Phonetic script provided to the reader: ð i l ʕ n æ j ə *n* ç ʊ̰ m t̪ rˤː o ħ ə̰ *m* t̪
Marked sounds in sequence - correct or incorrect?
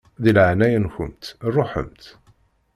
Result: correct, correct

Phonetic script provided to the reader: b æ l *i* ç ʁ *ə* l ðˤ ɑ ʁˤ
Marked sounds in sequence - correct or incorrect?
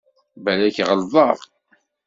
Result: incorrect: æ, correct

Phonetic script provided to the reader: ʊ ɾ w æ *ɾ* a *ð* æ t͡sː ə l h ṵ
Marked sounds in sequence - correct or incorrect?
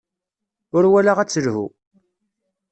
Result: incorrect: l, incorrect: ʁ

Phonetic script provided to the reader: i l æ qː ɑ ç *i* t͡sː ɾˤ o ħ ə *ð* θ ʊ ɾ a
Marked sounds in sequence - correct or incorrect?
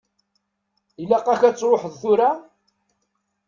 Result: incorrect: æ, correct

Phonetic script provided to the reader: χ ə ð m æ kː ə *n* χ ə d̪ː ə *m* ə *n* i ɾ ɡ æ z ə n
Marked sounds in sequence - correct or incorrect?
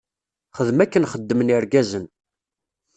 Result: correct, correct, correct

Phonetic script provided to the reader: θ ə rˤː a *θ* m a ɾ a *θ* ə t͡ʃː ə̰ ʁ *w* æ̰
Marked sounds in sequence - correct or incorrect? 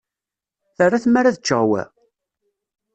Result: correct, incorrect: ð, correct

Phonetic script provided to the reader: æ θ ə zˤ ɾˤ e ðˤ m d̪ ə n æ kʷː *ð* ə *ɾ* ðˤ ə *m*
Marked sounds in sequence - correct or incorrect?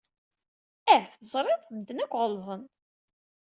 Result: incorrect: ʁ, incorrect: l, incorrect: n

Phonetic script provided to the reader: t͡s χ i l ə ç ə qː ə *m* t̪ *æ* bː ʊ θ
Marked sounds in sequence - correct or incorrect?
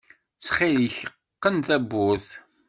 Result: incorrect: n, correct

